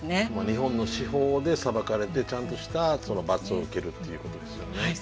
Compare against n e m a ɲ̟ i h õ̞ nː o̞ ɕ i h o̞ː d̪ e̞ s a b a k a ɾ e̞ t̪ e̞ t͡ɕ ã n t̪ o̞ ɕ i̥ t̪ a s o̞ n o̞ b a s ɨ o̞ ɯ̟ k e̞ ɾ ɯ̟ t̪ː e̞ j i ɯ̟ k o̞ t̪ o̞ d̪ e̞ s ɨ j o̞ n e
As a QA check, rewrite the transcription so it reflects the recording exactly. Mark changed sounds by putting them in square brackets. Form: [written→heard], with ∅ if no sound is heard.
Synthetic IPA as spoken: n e m a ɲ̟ i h õ̞ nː o̞ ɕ i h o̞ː d̪ e̞ s a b a k a ɾ e̞ t̪ e̞ t͡ɕ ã n t̪ o̞ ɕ i̥ t̪ a s o̞ n o̞ b a [s→t͡s] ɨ o̞ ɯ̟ k e̞ ɾ ɯ̟ t̪ː e̞ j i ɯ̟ k o̞ t̪ o̞ d̪ e̞ s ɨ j o̞ n e

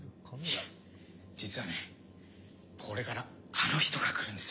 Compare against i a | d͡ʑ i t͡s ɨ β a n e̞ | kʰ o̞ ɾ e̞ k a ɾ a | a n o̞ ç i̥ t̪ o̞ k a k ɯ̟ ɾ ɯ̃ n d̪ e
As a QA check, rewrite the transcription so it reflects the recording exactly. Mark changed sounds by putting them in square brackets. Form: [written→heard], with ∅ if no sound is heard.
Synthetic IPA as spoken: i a | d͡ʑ i t͡s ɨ β a n e̞ | kʰ o̞ ɾ e̞ k a ɾ a | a n o̞ ç i̥ t̪ o̞ [k→ɡ] a k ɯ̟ ɾ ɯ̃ n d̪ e

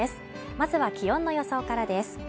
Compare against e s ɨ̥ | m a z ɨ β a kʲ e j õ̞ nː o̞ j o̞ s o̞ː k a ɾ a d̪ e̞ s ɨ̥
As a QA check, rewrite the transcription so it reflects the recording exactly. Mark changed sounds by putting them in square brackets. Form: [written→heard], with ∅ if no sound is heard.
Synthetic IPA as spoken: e s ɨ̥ | m a z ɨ β a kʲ [e→i] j õ̞ nː o̞ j o̞ s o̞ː k a ɾ a d̪ e̞ s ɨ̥

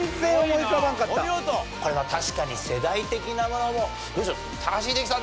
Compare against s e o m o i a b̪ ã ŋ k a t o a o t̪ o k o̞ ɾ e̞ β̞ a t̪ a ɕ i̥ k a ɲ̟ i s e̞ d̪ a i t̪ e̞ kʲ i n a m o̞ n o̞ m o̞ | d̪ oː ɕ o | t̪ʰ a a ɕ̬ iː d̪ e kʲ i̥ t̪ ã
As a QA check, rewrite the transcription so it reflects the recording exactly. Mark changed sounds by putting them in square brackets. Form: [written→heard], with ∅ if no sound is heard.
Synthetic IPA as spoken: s e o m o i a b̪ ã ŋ k a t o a o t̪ o k o̞ ɾ e̞ β̞ a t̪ a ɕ i̥ k a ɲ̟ i s e̞ d̪ a i t̪ e̞ kʲ i n a m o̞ n o̞ m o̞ | d̪ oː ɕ o | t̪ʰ a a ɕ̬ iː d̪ e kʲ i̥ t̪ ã

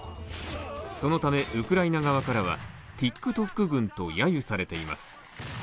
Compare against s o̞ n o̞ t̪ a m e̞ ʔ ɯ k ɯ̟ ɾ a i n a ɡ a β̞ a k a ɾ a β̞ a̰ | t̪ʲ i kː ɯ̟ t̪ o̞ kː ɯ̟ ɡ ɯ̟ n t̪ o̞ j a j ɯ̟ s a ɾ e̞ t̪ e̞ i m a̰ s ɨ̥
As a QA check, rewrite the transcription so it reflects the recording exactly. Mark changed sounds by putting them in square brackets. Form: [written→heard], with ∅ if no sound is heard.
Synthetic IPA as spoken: s o̞ n o̞ t̪ a m e̞ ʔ ɯ k ɯ̟ ɾ a i n a ɡ a β̞ a k a ɾ a β̞ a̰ | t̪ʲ i kː ɯ̟ t̪ o̞ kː ɯ̟ ɡ [ɯ̟→ɯ̟̃] n t̪ o̞ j a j ɯ̟ s a ɾ e̞ t̪ e̞ i m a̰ s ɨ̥

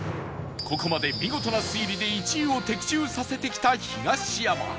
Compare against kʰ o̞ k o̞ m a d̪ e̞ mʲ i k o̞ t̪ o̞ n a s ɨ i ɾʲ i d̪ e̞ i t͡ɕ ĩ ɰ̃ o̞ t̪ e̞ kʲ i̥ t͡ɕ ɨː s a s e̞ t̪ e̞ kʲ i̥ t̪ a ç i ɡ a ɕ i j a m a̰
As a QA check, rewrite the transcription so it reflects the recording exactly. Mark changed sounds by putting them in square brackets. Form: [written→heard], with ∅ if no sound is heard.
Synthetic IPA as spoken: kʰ o̞ k o̞ m a d̪ e̞ mʲ i [k→ɡ] o̞ t̪ o̞ n a s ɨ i ɾʲ i d̪ e̞ i t͡ɕ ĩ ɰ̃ o̞ t̪ e̞ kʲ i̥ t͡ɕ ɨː s a s e̞ t̪ e̞ kʲ i̥ t̪ a ç i ɡ a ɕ i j a m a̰

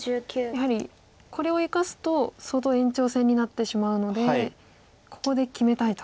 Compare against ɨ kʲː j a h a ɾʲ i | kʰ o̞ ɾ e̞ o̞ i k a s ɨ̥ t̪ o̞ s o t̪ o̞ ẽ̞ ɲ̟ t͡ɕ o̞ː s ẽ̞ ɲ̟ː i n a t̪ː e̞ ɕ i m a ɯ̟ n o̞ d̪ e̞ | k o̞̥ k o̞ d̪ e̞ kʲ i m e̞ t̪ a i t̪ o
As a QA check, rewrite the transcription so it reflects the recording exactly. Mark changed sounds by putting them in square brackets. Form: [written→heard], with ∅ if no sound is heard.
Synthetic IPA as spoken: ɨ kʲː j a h a ɾʲ i | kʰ o̞ ɾ e̞ o̞ i k a s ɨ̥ t̪ o̞ s o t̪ o̞ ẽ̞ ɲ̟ t͡ɕ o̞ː s ẽ̞ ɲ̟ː i n a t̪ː e̞ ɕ i m a ɯ̟ n o̞ d̪ e̞ | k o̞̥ k o̞ d̪ e̞ kʲ i m e̞ t̪ a i t̪ o

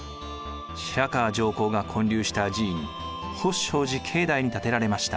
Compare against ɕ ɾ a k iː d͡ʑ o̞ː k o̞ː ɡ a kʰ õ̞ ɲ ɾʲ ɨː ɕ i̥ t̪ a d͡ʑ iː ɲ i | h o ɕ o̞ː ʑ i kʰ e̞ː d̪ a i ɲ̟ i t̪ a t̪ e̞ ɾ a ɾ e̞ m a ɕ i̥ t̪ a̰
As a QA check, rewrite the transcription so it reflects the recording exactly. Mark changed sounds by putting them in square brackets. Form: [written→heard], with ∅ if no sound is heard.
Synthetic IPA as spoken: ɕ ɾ a k [iː→aː] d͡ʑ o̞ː k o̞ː ɡ a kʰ õ̞ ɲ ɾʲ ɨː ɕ i̥ t̪ a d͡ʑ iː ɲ i | h o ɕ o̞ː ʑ i kʰ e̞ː d̪ a i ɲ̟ i t̪ a t̪ e̞ ɾ a ɾ e̞ m a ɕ i̥ t̪ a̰

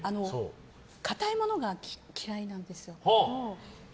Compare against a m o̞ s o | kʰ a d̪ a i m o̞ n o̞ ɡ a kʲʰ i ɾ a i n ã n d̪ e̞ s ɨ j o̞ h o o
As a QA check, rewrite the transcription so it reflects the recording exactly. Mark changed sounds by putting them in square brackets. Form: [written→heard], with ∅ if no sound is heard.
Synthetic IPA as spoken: a [m→n] o̞ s o | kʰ a [d̪→t̪] a i m o̞ n o̞ ɡ a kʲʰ i ɾ a i n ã n d̪ e̞ s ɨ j o̞ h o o

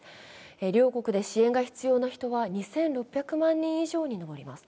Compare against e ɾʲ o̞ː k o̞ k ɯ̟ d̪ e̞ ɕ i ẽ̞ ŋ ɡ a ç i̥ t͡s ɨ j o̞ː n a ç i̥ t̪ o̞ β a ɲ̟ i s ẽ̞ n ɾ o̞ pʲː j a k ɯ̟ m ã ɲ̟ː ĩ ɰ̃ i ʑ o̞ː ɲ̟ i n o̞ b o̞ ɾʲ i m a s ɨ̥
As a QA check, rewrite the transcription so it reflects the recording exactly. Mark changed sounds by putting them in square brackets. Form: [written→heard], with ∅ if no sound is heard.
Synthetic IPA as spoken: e ɾʲ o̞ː k o̞ k ɯ̟ d̪ e̞ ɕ i ẽ̞ ŋ ɡ a ç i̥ t͡s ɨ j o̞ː n a ç i̥ t̪ o̞ β a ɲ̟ i s ẽ̞ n ɾ o̞ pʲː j a k ɯ̟ m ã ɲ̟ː ĩ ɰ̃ i ʑ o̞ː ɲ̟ i n o̞ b o̞ ɾʲ i m a s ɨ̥

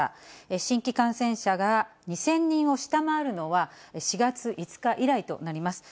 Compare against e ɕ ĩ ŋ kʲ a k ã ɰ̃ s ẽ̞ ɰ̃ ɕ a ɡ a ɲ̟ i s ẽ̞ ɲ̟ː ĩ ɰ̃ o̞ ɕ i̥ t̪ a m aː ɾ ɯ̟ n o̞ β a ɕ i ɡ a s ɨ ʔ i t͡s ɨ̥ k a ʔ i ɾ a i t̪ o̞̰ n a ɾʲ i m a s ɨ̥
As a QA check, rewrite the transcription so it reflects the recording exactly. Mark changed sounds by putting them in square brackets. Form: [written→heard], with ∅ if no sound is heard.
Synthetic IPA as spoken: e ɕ ĩ ŋ kʲ [a→i] k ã ɰ̃ s ẽ̞ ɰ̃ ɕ a ɡ a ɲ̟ i s ẽ̞ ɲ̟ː ĩ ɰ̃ o̞ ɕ i̥ t̪ a m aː ɾ ɯ̟ n o̞ β a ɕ i ɡ a [s→t͡s] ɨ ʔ i t͡s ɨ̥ k a ʔ i ɾ a i t̪ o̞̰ n a ɾʲ i m a s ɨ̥

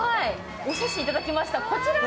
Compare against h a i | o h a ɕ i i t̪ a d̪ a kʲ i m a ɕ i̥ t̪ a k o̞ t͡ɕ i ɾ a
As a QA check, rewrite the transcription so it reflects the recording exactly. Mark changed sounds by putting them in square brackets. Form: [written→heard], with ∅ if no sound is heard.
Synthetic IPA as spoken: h a i | o [h→ɕ] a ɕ i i t̪ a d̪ a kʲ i m a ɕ i̥ t̪ a k o̞ t͡ɕ i ɾ a

